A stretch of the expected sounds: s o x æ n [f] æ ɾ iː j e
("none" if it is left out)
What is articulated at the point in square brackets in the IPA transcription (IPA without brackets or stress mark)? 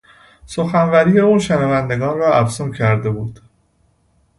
v